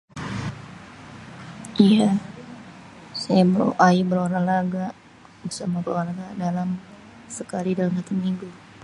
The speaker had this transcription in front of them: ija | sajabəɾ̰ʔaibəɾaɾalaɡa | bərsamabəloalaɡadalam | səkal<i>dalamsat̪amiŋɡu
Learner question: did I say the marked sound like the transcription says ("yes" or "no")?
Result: yes